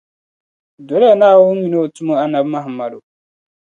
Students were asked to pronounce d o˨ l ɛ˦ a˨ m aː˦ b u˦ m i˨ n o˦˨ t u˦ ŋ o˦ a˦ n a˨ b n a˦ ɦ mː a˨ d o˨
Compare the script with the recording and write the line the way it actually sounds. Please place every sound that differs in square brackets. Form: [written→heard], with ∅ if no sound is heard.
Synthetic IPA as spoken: d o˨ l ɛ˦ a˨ [m→n] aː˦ [b→w] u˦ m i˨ n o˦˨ t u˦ [ŋ→m] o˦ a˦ n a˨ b [n→m] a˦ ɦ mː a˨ d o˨